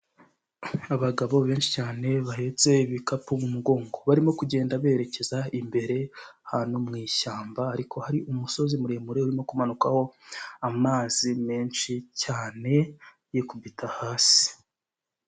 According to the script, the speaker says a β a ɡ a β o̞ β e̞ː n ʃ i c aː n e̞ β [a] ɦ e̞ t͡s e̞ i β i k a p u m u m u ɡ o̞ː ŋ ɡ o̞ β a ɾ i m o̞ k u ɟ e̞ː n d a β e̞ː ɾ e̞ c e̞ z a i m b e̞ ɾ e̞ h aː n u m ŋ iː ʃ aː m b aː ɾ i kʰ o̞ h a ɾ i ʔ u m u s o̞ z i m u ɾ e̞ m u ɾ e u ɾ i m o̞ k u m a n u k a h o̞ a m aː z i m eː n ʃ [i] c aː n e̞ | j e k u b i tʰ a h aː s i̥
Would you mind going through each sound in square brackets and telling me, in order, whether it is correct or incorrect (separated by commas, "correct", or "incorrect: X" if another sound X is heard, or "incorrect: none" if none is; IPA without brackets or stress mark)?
correct, correct